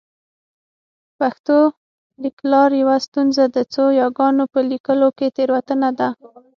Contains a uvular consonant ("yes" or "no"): no